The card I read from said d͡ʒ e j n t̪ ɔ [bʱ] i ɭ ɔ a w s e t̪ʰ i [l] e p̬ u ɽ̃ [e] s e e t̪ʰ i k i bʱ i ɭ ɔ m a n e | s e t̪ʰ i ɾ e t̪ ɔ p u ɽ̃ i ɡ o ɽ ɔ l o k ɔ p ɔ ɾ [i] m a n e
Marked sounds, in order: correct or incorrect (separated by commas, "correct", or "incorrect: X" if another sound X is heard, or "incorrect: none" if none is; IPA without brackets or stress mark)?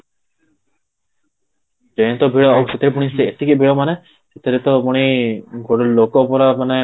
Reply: correct, incorrect: ɾ, incorrect: i, incorrect: a